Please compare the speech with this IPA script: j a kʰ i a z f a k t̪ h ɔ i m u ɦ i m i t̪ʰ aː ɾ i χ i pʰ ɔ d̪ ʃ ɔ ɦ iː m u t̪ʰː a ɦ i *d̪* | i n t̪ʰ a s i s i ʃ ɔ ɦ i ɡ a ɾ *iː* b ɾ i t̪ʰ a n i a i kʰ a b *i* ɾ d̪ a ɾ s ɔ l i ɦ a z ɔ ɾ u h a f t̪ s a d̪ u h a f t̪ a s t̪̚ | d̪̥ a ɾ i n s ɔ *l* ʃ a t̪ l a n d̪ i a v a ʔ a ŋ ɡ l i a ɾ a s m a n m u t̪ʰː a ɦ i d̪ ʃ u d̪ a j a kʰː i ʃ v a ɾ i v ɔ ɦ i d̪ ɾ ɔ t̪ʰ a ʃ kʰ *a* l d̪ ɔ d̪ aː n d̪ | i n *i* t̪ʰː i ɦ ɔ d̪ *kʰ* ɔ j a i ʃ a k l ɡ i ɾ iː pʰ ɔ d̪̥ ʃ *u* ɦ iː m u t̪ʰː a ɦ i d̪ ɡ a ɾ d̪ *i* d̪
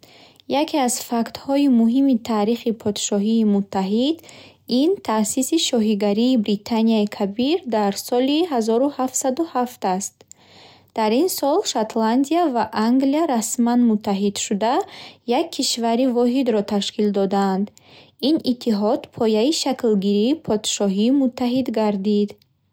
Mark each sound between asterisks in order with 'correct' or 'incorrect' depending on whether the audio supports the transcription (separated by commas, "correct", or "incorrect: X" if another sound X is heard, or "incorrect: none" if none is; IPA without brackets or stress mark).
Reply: correct, correct, correct, correct, incorrect: i, correct, incorrect: pʰ, incorrect: ɔ, correct